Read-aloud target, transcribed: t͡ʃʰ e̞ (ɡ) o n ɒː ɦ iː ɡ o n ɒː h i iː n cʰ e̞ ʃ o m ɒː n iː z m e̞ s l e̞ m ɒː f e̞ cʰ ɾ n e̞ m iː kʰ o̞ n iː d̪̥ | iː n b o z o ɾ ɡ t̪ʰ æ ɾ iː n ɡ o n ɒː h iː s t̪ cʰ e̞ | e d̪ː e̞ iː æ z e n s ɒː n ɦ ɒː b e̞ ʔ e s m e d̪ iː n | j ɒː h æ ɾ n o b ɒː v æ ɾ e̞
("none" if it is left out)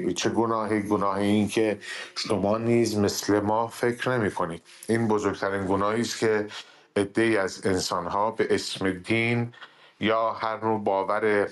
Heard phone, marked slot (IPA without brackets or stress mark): ɡ